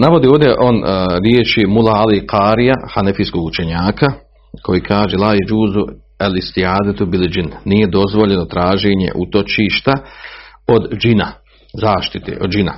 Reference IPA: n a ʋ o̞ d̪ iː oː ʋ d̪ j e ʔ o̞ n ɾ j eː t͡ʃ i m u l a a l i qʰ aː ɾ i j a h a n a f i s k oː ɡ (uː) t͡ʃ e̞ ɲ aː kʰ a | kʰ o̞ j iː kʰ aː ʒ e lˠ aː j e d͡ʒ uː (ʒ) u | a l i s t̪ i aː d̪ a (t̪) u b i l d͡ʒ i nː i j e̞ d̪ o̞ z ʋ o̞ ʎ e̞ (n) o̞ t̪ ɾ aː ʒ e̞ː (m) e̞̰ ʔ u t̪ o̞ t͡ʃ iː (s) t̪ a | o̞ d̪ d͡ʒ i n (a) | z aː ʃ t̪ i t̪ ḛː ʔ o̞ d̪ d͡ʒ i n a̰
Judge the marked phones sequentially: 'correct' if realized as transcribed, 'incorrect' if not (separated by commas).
incorrect, incorrect, correct, correct, incorrect, incorrect, correct